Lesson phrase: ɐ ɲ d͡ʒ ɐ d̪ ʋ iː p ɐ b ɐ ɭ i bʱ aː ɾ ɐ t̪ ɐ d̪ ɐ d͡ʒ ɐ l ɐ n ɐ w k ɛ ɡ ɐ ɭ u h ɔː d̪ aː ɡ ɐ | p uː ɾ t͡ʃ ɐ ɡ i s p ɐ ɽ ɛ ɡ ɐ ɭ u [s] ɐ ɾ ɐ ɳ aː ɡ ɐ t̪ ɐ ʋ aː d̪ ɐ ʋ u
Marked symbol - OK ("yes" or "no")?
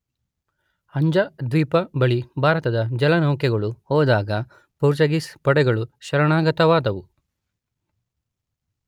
no